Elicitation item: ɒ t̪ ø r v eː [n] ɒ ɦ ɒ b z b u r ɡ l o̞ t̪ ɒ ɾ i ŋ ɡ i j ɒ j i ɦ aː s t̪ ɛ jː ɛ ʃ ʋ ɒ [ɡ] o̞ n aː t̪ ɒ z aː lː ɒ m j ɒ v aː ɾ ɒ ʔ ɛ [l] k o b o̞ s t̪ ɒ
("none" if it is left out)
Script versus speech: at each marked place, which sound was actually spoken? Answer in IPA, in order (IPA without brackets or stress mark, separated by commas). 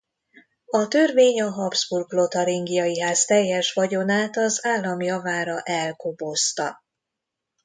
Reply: ɲ, ɟ, l